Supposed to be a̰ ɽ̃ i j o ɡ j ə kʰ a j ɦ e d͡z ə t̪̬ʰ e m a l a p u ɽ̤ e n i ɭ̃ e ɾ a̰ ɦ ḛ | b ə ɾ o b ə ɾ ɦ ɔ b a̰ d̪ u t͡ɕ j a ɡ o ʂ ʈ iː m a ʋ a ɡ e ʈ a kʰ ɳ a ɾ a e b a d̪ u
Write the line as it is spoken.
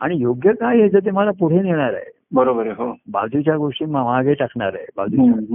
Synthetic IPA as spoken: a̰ ɽ̃ i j o ɡ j ə k a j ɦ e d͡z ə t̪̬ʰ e m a l a p u ɽ̤ e n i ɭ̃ a ɾ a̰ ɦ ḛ | b ə ɾ o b ə ɾ ɦ o b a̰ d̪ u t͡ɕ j a ɡ o ʂ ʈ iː m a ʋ a ɡ e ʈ a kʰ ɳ a ɾ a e b a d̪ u